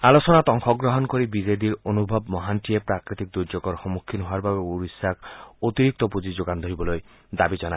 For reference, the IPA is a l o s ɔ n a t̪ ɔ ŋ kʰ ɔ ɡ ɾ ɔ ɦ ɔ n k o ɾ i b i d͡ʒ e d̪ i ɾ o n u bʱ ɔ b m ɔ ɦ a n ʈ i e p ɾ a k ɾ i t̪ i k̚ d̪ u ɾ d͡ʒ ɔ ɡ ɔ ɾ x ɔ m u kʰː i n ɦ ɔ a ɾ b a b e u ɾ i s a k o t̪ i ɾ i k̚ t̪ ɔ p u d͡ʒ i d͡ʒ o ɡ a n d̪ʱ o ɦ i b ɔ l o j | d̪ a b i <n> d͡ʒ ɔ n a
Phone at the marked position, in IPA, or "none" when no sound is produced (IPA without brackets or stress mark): none